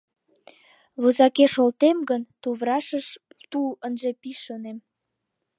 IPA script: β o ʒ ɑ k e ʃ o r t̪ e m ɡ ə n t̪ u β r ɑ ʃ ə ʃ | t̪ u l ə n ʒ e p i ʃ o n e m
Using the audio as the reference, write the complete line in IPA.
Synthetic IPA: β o z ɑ k e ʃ o l t̪ e m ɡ ə n t̪ u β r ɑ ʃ ə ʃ | t̪ u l ə n ʒ e p i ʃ o n e m